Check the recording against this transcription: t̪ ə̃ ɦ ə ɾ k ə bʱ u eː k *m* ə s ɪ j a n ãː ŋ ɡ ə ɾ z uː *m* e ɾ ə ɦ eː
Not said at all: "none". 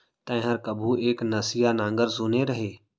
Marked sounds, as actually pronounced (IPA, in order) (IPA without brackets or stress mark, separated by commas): n, n